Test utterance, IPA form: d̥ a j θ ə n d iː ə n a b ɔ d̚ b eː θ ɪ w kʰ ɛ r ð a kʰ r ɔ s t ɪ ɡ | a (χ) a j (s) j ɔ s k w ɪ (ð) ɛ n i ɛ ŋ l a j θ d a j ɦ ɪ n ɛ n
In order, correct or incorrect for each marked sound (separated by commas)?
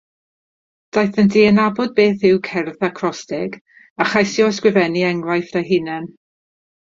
correct, correct, incorrect